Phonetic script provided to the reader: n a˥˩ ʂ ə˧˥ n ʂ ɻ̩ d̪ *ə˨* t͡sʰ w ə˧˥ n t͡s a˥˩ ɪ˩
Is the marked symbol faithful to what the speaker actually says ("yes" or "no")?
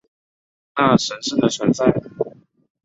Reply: yes